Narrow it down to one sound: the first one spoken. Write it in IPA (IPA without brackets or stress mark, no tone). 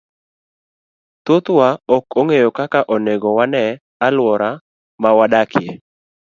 t̪